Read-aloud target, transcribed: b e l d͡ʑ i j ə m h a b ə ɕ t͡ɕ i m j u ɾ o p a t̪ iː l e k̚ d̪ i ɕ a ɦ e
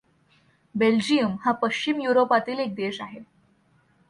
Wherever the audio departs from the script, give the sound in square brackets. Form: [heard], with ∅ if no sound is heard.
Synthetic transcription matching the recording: b e l d͡ʑ i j ə m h a [p] ə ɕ t͡ɕ i m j u ɾ o p a t̪ iː l e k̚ d̪ [e] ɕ a ɦ e

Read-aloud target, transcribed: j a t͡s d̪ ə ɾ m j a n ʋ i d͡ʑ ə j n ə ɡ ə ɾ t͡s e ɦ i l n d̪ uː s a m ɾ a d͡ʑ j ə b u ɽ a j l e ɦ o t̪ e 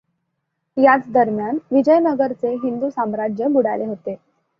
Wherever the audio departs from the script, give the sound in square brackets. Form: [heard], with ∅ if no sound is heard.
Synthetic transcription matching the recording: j a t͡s d̪ ə ɾ m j a n ʋ i d͡ʑ ə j n ə ɡ ə ɾ t͡s e ɦ i [∅] n d̪ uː s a m ɾ a d͡ʑ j ə b u ɽ a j l e ɦ o t̪ e

